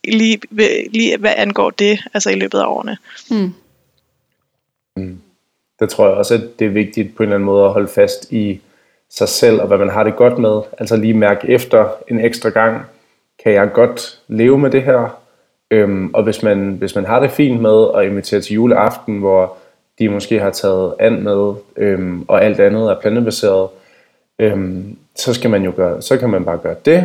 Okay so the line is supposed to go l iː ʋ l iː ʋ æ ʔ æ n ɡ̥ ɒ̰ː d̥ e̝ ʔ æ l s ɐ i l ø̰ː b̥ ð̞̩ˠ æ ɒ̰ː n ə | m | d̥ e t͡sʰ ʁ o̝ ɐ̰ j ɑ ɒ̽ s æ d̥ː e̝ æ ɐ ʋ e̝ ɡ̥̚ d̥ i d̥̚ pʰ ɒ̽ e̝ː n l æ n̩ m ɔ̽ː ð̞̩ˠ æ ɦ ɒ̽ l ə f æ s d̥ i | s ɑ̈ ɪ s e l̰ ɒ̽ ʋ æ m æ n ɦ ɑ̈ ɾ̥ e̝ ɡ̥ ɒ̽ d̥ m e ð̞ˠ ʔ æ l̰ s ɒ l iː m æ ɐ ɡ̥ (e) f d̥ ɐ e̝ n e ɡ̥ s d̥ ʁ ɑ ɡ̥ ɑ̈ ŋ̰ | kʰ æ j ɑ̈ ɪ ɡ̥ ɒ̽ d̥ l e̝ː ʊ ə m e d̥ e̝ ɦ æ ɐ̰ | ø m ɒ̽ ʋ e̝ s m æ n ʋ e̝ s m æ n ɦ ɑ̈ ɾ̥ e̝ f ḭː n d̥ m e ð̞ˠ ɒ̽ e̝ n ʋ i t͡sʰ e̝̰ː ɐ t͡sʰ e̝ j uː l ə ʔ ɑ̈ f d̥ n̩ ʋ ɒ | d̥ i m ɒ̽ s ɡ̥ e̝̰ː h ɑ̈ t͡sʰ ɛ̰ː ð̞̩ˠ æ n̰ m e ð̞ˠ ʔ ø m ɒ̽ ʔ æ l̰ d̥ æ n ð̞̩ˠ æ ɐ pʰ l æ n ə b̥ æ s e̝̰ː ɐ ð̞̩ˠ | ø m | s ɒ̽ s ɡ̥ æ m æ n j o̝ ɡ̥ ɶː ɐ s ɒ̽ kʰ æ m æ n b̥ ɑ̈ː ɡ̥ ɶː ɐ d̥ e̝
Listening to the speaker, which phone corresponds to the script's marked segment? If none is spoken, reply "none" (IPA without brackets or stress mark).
e